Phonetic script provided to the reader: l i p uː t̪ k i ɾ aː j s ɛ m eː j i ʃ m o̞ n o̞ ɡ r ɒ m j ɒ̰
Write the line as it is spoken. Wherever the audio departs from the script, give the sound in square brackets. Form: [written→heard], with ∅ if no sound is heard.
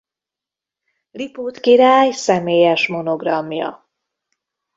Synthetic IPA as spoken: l i p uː t̪ k i ɾ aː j s ɛ m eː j [i→ɛ] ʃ m o̞ n o̞ ɡ r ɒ m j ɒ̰